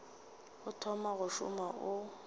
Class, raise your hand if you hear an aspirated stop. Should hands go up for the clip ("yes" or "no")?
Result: yes